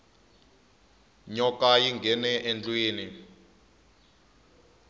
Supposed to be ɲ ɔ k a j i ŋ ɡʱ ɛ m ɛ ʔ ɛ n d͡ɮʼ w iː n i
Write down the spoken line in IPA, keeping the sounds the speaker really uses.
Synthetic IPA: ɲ ɔ k a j i ŋ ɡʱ ɛ n ɛ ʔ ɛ n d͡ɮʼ w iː n i